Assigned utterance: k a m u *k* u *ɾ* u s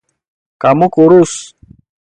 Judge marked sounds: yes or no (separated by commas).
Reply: yes, yes